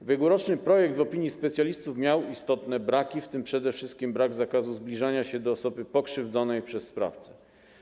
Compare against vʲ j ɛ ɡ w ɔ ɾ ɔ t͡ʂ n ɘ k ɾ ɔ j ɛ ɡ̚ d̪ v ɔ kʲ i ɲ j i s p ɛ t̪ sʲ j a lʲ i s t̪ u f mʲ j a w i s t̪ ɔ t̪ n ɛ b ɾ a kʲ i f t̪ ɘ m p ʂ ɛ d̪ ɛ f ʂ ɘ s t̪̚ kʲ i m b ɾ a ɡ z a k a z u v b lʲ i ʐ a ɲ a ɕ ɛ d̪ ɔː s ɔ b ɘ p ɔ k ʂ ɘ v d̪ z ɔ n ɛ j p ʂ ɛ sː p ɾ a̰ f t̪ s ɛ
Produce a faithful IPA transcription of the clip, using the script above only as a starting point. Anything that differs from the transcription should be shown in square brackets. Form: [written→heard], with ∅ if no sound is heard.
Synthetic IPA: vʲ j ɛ ɡ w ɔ ɾ ɔ t͡ʂ n ɘ [k→p] ɾ ɔ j ɛ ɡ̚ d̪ v ɔ [kʲ→pʲ] i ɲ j i s p ɛ t̪ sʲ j a lʲ i s t̪ u f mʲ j a w i s t̪ ɔ t̪ n ɛ b ɾ a kʲ i f t̪ ɘ m p ʂ ɛ d̪ ɛ f ʂ ɘ s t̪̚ kʲ i m b ɾ a ɡ z a k a z u [v→z] b lʲ i ʐ a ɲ a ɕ ɛ d̪ ɔː s ɔ b ɘ p ɔ k ʂ ɘ v d̪ z ɔ n ɛ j p ʂ ɛ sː p ɾ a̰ f t̪ s ɛ